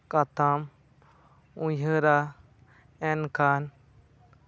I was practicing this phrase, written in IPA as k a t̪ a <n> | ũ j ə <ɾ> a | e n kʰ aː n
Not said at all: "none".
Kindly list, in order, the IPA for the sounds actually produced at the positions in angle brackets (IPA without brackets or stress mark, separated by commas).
m, ɾ